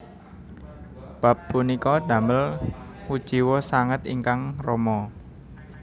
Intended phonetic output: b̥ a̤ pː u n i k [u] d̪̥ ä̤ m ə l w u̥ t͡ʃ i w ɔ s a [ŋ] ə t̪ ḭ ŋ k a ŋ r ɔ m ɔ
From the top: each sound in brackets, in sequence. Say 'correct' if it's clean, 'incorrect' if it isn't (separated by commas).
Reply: incorrect, correct